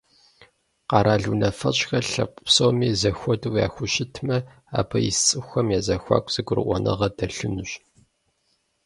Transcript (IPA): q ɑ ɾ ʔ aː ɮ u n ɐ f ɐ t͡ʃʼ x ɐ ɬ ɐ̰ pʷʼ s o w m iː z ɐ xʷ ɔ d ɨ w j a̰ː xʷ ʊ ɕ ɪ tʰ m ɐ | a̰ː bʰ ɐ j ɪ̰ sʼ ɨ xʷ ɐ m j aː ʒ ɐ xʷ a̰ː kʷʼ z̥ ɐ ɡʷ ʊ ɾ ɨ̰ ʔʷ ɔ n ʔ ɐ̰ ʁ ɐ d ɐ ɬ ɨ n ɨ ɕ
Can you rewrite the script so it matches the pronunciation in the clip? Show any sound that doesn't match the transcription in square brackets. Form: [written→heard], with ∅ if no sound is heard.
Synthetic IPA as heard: q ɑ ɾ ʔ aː ɮ u n ɐ f ɐ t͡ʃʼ x ɐ ɬ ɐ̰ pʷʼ s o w m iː z ɐ xʷ ɔ d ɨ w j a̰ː xʷ ʊ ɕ ɪ tʰ m ɐ | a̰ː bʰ ɐ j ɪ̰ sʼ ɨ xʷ ɐ m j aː [ʒ→z] ɐ xʷ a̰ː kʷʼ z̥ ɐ ɡʷ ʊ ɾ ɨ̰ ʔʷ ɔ n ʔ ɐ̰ ʁ ɐ d ɐ ɬ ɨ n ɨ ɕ